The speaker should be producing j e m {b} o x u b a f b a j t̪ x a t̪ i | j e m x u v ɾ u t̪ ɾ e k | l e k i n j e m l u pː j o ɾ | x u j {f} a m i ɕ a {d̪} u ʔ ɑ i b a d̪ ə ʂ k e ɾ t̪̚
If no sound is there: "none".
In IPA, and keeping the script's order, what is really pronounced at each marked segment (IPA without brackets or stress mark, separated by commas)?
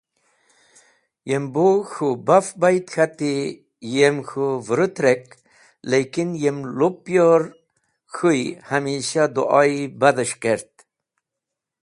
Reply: b, h, d̪